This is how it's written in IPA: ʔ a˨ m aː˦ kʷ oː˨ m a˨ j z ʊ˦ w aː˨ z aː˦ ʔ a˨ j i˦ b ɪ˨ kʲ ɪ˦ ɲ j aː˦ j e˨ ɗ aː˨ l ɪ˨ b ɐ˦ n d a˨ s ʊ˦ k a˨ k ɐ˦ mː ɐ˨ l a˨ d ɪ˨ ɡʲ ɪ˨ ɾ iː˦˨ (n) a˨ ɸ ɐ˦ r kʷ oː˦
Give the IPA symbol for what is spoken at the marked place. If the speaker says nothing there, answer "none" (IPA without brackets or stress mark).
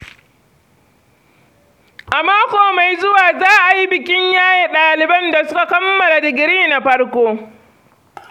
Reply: n